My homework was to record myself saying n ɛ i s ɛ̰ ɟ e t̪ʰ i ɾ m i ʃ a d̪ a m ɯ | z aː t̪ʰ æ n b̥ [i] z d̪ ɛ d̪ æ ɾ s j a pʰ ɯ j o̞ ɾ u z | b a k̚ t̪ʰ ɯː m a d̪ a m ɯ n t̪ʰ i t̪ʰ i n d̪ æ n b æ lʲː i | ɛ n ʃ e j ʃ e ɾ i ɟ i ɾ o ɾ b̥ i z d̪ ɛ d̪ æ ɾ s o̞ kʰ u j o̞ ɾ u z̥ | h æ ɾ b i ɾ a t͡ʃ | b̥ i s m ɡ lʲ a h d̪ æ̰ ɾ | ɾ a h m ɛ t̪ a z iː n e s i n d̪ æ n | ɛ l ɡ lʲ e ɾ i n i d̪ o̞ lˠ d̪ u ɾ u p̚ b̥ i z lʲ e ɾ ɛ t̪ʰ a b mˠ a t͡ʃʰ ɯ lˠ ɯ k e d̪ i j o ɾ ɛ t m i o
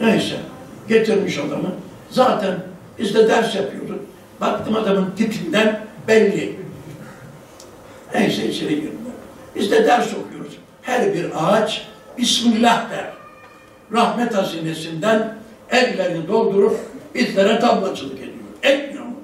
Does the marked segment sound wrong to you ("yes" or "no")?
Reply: no